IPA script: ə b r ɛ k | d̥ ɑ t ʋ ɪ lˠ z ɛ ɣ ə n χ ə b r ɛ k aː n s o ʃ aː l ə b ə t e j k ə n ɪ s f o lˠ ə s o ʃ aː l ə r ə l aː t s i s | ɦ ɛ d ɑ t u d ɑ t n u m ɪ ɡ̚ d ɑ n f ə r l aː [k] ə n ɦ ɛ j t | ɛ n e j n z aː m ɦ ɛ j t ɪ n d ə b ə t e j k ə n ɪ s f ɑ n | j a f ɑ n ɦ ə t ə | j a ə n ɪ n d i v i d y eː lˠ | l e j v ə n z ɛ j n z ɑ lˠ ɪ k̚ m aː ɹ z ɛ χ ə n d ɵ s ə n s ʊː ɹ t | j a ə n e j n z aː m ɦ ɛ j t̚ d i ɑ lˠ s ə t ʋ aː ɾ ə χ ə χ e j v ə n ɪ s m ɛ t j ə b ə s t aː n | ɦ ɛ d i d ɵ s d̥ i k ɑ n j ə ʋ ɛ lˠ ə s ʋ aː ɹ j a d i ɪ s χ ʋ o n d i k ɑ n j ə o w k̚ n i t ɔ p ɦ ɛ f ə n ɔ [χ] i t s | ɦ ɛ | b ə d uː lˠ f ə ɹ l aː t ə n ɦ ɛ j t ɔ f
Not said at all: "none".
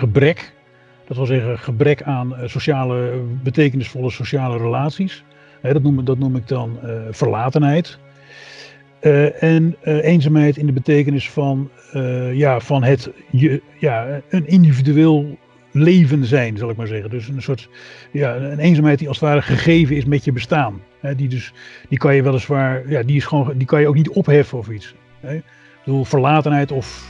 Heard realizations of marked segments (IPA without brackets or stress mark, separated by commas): t, f